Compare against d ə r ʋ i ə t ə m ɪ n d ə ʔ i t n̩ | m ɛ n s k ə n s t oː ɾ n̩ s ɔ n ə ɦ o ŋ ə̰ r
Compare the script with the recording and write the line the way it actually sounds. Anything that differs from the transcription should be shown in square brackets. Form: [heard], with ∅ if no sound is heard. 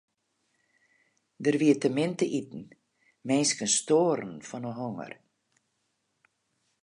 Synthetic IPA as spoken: d ə r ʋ i ə t ə m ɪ n [t] ə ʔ i t n̩ | m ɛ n s k ə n s t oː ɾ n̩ [f] ɔ n ə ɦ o ŋ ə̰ r